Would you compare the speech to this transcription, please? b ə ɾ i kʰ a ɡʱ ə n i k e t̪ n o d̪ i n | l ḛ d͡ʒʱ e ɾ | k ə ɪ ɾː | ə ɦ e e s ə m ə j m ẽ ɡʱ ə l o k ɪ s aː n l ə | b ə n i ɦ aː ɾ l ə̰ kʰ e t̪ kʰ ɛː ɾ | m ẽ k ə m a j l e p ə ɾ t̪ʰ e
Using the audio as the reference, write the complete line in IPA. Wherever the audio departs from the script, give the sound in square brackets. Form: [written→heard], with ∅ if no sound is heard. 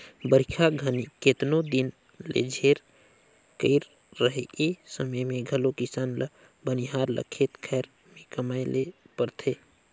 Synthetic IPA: b ə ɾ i kʰ a ɡʱ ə n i k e t̪ n o d̪ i n | l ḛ d͡ʒʱ e ɾ | k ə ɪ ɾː | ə ɦ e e s ə m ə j m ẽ ɡʱ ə l o k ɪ s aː n l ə | b ə n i ɦ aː ɾ l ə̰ kʰ e t̪ kʰ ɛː ɾ | m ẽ k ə m a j l e p ə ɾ t̪ʰ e